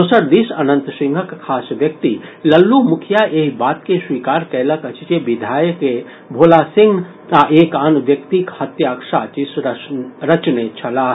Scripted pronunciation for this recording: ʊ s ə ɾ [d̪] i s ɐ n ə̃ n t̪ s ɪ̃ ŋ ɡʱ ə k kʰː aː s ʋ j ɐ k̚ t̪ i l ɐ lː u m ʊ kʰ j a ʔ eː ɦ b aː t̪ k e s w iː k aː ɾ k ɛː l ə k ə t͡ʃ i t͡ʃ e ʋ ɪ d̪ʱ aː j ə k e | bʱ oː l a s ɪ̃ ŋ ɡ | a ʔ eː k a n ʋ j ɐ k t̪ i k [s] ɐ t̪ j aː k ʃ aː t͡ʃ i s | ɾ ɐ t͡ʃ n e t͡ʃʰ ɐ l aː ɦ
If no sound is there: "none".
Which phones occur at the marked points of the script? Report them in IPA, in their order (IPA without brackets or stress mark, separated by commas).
d̪, h